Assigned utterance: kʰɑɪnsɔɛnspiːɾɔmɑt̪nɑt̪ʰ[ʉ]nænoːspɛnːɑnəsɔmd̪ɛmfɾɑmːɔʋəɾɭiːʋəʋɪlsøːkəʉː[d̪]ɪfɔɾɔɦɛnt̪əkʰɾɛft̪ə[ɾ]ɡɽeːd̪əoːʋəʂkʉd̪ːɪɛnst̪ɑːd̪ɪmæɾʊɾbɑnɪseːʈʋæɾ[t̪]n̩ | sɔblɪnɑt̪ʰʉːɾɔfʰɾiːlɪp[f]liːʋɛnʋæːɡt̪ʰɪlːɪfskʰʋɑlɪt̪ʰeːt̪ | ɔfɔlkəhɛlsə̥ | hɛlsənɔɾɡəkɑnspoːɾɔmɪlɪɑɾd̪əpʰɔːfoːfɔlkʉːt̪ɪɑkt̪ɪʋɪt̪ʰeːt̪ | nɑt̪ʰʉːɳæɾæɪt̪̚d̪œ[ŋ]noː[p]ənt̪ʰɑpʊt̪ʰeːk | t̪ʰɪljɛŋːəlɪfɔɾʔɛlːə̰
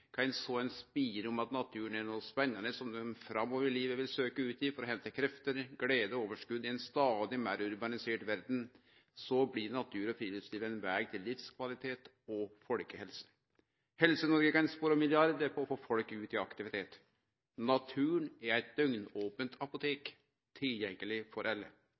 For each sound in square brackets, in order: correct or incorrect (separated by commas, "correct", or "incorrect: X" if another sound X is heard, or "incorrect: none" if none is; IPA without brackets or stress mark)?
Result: incorrect: ʉː, incorrect: t̪, correct, incorrect: d̪, incorrect: s, correct, correct